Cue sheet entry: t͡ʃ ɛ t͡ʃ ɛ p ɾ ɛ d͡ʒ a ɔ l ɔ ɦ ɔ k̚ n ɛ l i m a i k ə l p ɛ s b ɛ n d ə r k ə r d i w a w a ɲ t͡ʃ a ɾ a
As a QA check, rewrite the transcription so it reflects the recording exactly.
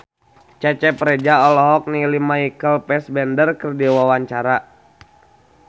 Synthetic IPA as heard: t͡ʃ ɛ t͡ʃ ɛ p ɾ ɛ d͡ʒ a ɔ l ɔ ɦ ɔ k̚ n i l i m a i k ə l p ɛ s b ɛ n d ə r k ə r d i w a w a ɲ t͡ʃ a ɾ a